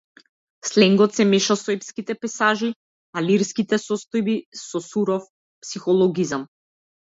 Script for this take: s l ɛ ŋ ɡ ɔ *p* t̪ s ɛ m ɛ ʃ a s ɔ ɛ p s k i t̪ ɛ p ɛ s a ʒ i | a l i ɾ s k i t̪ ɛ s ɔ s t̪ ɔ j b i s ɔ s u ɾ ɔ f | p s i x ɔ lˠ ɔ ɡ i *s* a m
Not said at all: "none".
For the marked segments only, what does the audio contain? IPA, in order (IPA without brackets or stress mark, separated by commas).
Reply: none, z